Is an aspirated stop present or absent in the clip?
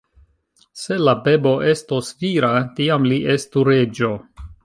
absent